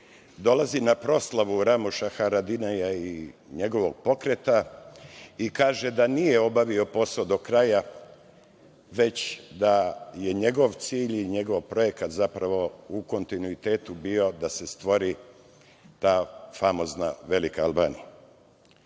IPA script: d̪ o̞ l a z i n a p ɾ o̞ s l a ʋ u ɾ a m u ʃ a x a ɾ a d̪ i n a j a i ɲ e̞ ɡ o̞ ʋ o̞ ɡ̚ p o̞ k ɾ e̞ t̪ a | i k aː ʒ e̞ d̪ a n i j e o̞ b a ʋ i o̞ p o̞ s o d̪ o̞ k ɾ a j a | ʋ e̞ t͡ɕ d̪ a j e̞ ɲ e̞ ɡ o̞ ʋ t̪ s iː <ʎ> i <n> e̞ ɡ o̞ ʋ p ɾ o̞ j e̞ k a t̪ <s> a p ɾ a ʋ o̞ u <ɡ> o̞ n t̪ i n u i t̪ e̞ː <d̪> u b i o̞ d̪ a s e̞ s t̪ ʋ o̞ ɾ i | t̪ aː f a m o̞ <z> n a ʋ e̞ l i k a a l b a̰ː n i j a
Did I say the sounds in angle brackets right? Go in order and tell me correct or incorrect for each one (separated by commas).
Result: correct, incorrect, incorrect, incorrect, incorrect, correct